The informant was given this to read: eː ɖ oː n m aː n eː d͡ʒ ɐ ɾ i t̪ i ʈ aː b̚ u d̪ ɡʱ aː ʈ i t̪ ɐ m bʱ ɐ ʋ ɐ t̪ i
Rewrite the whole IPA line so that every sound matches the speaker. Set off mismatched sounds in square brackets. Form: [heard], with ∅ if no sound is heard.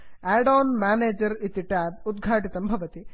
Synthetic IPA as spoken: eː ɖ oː n m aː n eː d͡ʒ ɐ ɾ i t̪ i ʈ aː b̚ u d̪ ɡʱ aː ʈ i t̪ ɐ m bʱ ɐ ʋ ɐ t̪ i